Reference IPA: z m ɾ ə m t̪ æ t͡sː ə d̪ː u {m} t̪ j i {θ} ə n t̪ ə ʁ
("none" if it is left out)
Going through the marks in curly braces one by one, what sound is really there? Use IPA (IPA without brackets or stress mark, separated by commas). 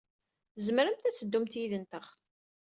m, ð